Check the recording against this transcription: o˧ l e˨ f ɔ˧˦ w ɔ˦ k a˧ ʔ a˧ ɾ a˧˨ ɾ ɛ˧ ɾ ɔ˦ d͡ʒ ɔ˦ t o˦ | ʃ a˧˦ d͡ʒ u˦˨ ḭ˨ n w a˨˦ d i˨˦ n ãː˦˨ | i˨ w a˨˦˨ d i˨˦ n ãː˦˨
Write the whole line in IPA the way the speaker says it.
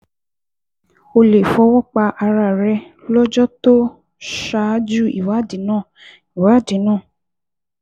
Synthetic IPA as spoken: o˧ l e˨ f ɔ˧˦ w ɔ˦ k͡p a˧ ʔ a˧ ɾ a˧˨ ɾ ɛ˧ l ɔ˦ d͡ʒ ɔ˦ t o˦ | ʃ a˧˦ d͡ʒ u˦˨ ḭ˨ w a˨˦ d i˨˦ n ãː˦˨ | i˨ w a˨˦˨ d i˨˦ n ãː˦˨